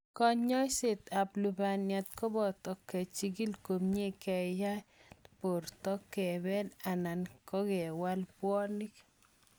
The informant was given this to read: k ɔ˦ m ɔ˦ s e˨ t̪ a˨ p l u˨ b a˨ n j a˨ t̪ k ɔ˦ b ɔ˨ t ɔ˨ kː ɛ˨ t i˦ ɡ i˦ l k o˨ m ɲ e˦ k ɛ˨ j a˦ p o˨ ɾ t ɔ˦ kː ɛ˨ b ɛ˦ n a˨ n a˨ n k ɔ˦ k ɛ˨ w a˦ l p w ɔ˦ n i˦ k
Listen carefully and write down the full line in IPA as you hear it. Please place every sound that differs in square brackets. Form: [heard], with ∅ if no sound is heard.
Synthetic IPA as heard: k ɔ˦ [ɲ] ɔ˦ s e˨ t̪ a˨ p l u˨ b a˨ n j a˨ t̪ k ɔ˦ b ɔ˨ t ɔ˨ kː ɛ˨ [t͡ʃ] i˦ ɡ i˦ l k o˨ m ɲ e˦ k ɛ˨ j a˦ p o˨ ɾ t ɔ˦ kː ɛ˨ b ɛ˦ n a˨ n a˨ n k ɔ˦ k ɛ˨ w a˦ l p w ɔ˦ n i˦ k